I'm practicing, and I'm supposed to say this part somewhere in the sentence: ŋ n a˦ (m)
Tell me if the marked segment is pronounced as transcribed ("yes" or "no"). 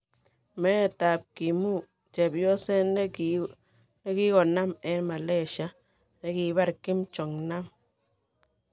yes